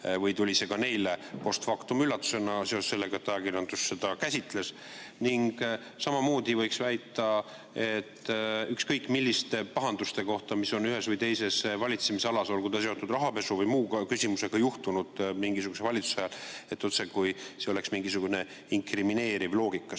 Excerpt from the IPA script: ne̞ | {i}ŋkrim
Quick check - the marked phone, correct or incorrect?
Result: correct